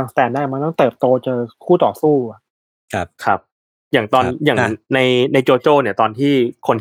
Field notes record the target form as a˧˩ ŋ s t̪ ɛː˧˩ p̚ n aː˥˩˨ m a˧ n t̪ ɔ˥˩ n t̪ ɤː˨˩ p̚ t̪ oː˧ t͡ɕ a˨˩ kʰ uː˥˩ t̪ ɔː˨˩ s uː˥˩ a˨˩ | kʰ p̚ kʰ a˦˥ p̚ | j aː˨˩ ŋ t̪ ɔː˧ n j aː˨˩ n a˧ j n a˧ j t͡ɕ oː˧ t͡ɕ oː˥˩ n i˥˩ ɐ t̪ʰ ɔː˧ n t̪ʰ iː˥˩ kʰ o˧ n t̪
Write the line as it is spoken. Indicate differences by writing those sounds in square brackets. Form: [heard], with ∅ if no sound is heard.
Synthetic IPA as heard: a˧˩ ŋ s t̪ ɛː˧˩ [∅] n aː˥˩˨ m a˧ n t̪ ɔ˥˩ [ŋ] t̪ ɤː˨˩ p̚ t̪ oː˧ t͡ɕ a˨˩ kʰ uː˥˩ t̪ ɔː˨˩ s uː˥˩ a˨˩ | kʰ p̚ kʰ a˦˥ p̚ | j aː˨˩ ŋ t̪ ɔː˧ n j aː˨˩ n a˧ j n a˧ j t͡ɕ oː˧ t͡ɕ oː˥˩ n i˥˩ ɐ [t̪] ɔː˧ n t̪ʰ iː˥˩ kʰ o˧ n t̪